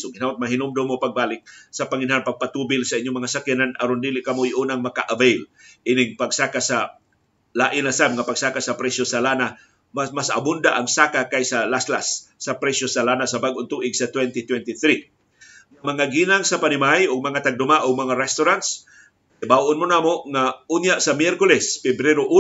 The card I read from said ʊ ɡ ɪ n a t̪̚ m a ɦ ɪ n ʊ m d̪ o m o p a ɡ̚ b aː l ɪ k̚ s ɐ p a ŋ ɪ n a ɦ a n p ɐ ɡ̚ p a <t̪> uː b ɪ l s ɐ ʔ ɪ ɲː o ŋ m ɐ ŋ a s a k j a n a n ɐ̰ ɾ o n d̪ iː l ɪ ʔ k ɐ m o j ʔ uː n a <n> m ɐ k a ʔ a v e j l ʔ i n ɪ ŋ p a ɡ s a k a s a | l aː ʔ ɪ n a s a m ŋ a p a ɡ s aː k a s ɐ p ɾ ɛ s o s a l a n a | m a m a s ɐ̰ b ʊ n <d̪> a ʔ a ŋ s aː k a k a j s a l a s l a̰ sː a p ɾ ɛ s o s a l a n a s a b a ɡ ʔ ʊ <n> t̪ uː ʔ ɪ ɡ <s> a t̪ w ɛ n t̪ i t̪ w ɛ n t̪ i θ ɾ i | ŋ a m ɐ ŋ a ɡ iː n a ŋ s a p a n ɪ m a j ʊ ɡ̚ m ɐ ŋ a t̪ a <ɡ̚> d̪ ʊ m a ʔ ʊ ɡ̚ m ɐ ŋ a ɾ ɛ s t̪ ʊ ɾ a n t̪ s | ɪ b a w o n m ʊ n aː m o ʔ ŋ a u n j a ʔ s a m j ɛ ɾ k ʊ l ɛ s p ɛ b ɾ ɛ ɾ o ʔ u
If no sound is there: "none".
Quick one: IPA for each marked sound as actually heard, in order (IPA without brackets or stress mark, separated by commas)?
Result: t̪, ŋ, d̪, n, s, ɡ̚